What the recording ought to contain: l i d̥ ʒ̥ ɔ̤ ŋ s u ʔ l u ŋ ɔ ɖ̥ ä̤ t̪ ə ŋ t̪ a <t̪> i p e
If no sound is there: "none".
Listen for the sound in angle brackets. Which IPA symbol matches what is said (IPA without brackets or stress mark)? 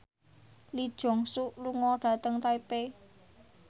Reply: none